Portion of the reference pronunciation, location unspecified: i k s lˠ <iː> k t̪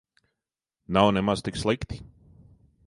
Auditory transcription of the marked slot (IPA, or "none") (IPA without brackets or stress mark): i